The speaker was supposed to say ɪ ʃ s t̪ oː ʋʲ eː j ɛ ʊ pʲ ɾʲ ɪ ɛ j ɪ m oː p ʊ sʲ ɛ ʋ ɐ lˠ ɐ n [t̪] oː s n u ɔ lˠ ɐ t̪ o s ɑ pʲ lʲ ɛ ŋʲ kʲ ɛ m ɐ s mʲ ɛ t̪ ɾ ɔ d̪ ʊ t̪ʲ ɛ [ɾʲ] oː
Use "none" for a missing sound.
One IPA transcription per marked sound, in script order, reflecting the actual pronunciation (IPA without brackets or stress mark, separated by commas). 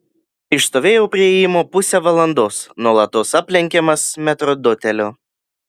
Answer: d̪, lʲ